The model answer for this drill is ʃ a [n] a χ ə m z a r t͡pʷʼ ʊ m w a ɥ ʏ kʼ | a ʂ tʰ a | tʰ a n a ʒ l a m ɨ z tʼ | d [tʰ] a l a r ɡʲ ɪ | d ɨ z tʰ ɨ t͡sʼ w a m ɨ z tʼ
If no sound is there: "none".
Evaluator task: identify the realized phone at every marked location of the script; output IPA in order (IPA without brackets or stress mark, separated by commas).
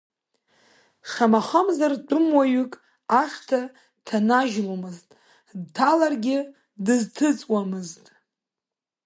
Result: m, tʰ